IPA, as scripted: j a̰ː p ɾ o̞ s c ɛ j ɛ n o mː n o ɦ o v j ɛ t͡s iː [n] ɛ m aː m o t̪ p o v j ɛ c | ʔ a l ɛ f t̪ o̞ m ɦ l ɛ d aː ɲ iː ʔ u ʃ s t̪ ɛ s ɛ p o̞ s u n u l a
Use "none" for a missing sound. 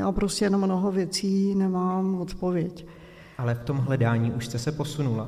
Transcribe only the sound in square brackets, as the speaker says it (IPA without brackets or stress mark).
n